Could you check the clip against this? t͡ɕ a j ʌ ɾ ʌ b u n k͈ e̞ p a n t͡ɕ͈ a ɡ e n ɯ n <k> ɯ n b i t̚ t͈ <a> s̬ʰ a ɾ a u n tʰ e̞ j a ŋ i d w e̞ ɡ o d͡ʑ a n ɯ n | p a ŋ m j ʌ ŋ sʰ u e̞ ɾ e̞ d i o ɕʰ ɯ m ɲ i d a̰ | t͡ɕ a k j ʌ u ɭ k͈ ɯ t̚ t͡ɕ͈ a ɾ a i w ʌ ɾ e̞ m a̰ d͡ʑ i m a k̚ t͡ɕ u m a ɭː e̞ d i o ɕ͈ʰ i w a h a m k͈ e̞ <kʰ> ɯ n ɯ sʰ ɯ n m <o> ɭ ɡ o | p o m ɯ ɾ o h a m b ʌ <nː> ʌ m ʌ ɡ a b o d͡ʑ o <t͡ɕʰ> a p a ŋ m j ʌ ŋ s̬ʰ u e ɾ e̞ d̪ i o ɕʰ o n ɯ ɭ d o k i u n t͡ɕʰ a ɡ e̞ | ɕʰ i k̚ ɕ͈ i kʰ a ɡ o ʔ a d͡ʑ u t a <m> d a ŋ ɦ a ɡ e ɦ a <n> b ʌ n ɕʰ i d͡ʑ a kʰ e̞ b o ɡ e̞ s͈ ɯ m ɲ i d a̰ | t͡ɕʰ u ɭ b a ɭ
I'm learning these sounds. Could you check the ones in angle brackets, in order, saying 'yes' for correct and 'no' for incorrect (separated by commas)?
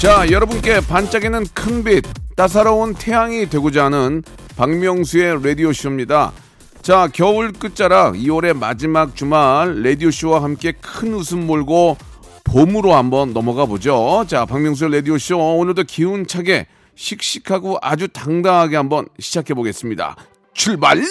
no, yes, yes, yes, yes, no, no, no